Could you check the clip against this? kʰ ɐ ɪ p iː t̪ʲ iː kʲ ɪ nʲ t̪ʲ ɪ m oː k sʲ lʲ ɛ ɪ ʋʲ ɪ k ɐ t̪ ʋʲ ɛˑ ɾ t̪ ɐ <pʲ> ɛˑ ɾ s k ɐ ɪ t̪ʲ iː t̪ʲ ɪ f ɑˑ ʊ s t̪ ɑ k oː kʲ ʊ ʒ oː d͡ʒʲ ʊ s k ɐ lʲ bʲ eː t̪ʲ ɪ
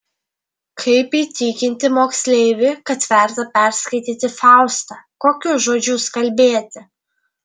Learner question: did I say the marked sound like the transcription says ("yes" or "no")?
yes